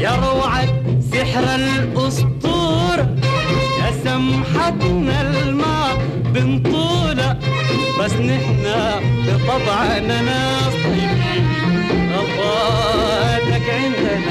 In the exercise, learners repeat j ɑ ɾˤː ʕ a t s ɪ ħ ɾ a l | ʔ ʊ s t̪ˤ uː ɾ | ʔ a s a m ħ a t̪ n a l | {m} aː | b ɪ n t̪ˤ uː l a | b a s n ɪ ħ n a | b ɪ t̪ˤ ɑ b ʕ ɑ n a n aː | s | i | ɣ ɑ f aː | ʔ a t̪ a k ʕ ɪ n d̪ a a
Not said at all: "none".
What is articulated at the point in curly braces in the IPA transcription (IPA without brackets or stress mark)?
m